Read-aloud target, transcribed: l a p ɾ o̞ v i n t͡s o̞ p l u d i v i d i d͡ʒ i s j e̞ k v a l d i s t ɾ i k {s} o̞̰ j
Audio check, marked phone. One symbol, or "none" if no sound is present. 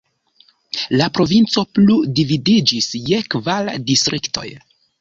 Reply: t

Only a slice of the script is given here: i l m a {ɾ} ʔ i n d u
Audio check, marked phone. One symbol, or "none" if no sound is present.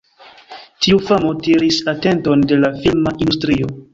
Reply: none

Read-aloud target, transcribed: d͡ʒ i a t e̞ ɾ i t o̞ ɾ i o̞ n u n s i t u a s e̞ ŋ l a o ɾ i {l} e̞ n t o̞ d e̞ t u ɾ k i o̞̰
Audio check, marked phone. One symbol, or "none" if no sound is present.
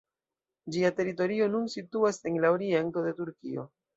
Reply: none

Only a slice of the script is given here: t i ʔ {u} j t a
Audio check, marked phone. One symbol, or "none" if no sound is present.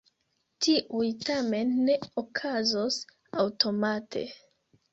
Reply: u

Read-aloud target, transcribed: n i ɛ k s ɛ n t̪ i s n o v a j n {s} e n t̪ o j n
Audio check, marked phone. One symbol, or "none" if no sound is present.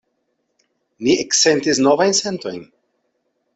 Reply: s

